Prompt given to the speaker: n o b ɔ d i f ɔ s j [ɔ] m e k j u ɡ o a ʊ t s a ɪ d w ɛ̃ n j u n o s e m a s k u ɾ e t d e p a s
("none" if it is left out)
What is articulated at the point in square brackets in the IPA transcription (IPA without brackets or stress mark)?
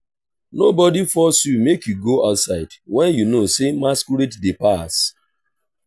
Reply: u